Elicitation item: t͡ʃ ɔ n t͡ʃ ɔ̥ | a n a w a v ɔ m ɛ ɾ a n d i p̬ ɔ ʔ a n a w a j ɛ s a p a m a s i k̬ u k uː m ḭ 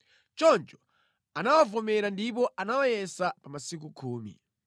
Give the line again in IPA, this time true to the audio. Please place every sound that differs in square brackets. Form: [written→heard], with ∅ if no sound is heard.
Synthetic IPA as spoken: t͡ʃ ɔ n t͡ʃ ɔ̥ | a n a w a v ɔ m ɛ ɾ a n d i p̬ ɔ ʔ a n a w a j ɛ s a p a m a s i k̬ u [k→kʰ] uː m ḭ